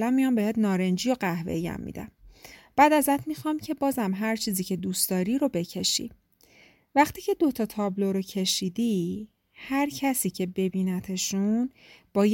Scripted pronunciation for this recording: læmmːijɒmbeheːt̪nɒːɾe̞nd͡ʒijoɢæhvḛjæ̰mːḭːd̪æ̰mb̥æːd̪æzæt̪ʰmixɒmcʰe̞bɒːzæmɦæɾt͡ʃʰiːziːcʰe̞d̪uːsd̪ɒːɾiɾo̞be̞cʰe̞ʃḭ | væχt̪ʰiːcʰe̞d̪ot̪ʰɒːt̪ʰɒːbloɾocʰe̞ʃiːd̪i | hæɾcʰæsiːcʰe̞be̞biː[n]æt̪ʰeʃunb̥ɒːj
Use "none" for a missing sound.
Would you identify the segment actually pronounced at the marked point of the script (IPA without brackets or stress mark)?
n